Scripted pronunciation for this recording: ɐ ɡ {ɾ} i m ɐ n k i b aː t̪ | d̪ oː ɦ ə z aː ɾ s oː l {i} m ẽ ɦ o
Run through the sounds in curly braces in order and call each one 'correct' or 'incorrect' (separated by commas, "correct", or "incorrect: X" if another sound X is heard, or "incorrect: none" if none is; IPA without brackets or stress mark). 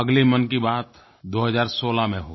incorrect: l, incorrect: a